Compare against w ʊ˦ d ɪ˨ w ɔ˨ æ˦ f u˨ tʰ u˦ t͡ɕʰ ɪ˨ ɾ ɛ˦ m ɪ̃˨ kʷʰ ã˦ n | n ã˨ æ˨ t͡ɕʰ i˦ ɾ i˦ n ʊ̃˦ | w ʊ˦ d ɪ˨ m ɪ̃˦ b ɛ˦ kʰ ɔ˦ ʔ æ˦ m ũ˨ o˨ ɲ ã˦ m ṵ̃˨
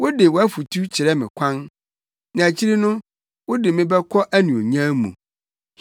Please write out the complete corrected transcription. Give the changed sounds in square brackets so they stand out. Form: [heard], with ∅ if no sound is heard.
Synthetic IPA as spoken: w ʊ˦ d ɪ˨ w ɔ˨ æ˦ f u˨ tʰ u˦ t͡ɕʰ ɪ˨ ɾ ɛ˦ m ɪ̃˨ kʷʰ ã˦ n | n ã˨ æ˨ t͡ɕʰ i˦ ɾ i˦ n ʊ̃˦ | w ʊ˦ d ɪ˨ m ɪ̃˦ b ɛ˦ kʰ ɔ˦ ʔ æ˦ [n] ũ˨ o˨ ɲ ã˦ m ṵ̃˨